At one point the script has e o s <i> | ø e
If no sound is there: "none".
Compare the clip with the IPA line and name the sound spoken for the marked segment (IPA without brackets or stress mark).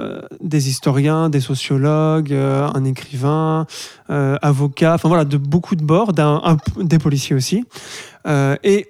i